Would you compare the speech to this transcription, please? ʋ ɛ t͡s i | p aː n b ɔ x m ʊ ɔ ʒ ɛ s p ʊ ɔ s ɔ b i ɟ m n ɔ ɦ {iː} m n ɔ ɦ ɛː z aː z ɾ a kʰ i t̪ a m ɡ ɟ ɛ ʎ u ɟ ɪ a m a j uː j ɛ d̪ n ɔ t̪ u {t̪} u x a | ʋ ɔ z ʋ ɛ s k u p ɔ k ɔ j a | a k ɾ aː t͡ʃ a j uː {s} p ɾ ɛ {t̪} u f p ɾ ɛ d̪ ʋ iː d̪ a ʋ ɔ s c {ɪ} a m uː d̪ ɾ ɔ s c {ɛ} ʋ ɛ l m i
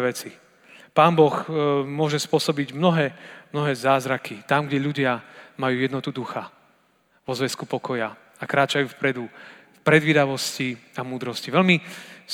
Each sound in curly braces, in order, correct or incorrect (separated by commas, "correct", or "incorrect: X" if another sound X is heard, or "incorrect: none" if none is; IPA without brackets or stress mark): incorrect: ɛː, incorrect: d̪, incorrect: f, incorrect: d̪, incorrect: i, incorrect: i